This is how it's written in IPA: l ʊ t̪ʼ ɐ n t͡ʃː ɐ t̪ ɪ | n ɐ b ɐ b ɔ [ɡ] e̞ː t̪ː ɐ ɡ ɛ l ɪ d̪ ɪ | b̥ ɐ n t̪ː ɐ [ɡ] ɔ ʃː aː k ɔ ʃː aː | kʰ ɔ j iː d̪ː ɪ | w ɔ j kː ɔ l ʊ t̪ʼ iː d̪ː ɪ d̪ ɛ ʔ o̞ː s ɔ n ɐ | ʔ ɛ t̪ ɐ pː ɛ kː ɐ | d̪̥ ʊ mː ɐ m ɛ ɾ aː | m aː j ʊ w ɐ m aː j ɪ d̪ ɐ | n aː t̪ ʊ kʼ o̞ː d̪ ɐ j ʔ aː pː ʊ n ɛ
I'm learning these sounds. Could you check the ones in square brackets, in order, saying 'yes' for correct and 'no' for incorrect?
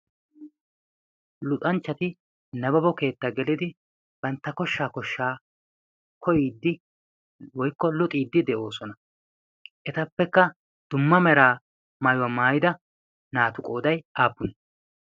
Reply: no, no

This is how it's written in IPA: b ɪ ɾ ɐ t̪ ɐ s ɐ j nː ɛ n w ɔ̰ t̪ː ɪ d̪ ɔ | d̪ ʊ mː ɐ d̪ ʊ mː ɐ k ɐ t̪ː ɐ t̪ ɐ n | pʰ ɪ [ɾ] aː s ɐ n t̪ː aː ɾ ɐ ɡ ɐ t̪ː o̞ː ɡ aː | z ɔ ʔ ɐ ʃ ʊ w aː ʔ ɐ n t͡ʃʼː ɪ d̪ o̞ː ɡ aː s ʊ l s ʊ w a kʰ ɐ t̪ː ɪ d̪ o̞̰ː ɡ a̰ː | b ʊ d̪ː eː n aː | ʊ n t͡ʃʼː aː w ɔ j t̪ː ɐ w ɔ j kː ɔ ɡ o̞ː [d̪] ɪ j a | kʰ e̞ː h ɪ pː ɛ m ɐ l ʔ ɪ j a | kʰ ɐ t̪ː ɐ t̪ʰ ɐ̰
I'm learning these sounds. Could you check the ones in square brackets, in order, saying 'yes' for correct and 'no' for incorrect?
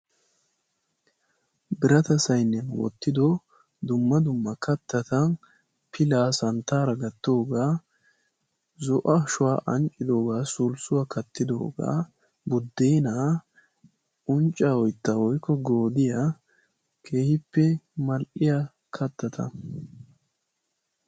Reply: no, yes

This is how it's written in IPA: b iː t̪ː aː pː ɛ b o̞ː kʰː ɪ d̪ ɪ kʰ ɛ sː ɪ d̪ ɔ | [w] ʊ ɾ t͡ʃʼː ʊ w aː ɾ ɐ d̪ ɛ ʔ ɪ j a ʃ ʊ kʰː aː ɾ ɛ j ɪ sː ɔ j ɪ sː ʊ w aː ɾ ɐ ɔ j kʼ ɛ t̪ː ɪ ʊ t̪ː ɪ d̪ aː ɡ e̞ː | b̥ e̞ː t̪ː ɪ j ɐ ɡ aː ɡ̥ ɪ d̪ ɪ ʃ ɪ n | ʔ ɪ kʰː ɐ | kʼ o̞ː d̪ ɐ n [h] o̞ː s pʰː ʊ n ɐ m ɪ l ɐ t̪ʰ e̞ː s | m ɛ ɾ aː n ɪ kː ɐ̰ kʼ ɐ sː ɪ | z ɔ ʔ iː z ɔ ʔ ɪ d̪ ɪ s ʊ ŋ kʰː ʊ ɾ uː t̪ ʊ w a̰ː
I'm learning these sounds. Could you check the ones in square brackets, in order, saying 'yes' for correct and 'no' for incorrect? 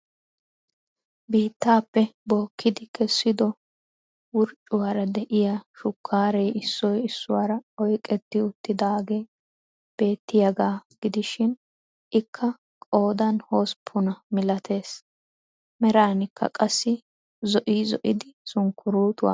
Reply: yes, yes

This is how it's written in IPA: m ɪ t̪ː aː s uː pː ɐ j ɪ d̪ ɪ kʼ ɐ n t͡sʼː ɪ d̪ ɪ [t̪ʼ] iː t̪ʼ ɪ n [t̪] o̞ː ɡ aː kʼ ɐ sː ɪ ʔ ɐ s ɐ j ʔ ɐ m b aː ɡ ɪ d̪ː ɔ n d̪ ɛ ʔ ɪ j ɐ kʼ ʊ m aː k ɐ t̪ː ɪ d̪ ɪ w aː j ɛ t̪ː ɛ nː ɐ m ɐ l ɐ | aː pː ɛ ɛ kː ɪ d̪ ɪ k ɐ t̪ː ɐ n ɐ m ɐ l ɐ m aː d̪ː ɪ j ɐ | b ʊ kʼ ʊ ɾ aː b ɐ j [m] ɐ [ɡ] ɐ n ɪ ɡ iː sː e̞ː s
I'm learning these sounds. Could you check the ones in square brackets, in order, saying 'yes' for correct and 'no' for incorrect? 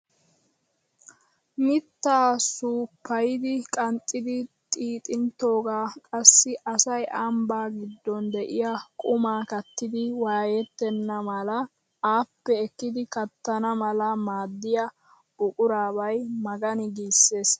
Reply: yes, yes, yes, yes

